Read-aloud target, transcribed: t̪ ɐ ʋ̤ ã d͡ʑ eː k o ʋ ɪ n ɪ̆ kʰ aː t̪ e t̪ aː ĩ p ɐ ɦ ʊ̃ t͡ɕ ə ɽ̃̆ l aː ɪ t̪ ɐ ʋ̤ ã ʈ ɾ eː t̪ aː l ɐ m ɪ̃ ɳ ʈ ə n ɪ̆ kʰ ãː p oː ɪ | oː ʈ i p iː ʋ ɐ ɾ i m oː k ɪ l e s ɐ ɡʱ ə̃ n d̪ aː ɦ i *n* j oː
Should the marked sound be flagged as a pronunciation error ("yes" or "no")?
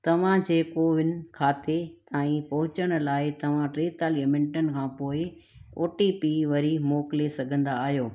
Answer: yes